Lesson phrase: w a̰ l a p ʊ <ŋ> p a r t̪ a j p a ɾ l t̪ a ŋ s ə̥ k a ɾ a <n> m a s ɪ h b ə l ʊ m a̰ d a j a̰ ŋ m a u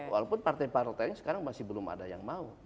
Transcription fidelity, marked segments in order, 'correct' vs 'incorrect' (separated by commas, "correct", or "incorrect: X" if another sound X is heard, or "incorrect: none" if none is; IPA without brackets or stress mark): incorrect: n, incorrect: ŋ